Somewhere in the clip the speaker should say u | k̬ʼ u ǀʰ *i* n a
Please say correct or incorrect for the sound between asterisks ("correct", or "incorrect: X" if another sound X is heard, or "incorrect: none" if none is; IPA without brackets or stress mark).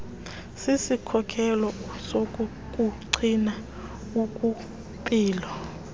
correct